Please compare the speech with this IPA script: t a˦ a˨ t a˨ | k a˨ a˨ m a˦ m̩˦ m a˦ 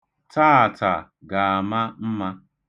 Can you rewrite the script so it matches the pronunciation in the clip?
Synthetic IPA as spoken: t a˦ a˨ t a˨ | ɡ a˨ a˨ m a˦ m̩˦ m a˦